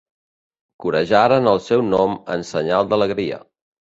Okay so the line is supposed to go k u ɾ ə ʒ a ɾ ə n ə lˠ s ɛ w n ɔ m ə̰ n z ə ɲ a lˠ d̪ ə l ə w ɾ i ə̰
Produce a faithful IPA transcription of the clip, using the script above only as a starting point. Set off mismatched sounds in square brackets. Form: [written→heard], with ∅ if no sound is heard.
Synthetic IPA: k u ɾ ə ʒ a ɾ ə n ə lˠ s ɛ w n ɔ m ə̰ n [z→s] ə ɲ a lˠ d̪ ə l ə [w→ɣ] ɾ i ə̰